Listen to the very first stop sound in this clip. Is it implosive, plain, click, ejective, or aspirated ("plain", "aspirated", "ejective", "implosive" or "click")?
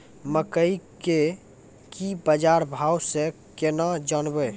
plain